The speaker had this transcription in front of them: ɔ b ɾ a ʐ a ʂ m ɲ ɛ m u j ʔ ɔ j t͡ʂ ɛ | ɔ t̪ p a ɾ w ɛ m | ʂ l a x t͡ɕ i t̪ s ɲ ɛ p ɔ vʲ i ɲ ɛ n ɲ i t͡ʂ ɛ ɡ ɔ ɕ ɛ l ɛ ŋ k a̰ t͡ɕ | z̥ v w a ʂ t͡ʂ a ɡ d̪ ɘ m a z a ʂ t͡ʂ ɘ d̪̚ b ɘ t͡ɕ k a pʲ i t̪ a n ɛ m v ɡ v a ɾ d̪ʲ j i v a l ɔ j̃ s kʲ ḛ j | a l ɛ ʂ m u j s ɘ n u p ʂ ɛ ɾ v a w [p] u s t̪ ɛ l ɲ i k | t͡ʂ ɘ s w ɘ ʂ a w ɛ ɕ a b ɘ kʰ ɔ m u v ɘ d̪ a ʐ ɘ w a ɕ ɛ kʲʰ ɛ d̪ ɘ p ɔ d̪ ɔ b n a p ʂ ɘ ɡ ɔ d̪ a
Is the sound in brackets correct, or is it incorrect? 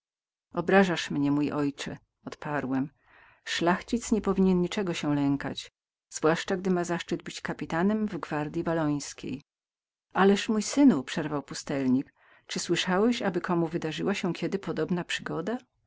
correct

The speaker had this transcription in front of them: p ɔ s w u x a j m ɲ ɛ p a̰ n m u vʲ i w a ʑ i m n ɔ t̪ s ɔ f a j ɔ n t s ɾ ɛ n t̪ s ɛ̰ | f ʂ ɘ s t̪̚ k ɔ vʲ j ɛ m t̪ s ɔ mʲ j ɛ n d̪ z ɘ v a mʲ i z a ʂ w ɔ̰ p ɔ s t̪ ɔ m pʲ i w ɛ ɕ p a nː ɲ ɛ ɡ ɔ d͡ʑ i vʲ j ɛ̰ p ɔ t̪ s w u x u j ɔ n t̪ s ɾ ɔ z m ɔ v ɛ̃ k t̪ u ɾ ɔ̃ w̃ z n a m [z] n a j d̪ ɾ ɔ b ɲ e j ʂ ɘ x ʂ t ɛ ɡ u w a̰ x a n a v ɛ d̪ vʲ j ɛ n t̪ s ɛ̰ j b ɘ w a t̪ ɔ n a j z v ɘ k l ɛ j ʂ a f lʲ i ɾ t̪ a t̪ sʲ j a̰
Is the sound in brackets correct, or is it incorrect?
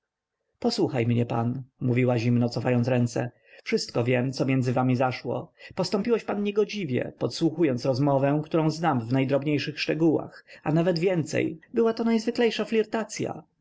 incorrect: v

